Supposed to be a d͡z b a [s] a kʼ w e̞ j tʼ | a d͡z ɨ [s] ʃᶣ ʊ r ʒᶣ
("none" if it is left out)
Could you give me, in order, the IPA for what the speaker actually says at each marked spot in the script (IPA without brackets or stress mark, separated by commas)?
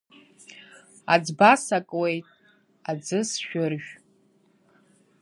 s, s